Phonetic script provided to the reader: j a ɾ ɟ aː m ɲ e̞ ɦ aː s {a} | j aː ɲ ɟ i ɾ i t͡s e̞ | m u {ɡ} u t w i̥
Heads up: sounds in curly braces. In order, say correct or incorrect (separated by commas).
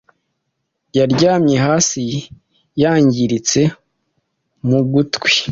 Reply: incorrect, correct